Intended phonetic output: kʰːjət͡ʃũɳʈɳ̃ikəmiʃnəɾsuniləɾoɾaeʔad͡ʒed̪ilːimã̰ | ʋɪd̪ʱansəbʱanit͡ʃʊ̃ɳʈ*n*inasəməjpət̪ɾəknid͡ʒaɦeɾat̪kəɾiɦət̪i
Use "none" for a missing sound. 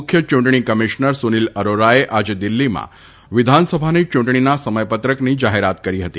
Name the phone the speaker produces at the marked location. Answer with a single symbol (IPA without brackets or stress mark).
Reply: ɳ